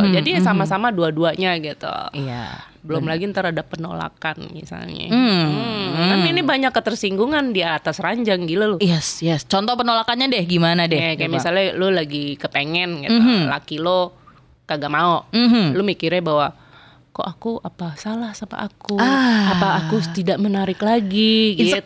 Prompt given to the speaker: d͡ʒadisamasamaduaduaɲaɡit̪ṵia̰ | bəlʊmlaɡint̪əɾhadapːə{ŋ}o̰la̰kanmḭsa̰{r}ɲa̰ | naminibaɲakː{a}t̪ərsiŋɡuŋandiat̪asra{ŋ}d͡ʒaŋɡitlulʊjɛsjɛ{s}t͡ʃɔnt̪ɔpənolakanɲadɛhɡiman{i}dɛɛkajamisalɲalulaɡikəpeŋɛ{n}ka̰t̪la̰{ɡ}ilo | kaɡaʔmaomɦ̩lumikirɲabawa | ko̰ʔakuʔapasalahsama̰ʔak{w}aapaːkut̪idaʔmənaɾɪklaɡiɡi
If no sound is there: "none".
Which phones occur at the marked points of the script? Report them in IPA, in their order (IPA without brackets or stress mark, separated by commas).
n, l, ə, ɲ, s, a, n, k, u